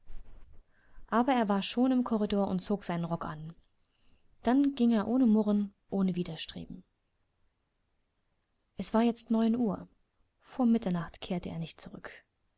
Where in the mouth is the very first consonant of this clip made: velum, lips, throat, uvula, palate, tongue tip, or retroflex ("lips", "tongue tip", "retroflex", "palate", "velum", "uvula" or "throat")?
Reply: throat